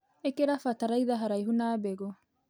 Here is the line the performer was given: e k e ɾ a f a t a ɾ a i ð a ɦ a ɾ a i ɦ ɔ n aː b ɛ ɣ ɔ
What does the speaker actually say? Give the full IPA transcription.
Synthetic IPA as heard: e k e ɾ a f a t a ɾ a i ð a ɦ a ɾ a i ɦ u n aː b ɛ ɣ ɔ